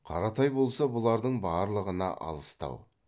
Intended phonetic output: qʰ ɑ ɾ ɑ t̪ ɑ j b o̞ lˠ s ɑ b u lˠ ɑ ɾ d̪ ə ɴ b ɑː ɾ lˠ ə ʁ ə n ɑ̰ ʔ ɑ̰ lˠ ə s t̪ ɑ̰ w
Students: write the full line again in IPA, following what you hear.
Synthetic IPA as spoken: qʰ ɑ ɾ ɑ t̪ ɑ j b o̞ lˠ s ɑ b ʊ lˠ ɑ ɾ d̪ ə ɴ b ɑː ɾ lˠ ə ʁ ə n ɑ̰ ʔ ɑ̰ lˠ ə s t̪ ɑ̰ w